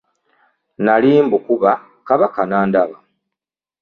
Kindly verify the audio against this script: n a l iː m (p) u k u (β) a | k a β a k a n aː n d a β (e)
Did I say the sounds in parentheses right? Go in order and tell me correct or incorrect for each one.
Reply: incorrect, correct, incorrect

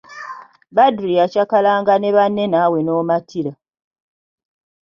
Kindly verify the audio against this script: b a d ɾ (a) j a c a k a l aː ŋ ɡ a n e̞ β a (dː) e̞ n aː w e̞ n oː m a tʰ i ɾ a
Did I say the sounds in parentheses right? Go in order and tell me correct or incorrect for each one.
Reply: incorrect, incorrect

